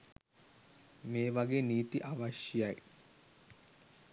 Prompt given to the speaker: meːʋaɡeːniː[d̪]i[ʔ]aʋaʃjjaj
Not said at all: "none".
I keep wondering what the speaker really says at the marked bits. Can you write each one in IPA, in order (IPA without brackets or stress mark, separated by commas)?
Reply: t̪, ʔ